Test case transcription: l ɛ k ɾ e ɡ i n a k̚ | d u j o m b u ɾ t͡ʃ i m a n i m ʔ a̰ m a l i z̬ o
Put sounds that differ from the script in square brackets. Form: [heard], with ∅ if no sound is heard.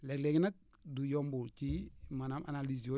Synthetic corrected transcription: l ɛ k [l] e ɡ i n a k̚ | d u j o m b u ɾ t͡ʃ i m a n [a] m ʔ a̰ [n] a l i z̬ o